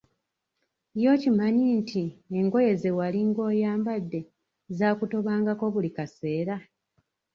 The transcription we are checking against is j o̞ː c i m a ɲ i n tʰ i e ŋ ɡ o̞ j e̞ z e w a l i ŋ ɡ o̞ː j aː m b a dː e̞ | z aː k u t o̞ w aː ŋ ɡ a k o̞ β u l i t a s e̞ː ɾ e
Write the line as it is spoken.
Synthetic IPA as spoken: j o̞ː c i m a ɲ i n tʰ i e ŋ ɡ o̞ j e̞ z e w a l i ŋ ɡ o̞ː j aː m b a dː e̞ | z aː k u t o̞ β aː ŋ ɡ a k o̞ β u l i k a s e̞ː ɾ a